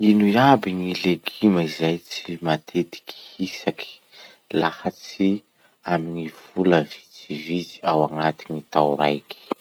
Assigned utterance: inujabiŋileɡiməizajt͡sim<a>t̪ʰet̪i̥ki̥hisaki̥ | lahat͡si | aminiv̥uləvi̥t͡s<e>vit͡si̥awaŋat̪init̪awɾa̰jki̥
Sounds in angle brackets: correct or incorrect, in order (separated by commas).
correct, incorrect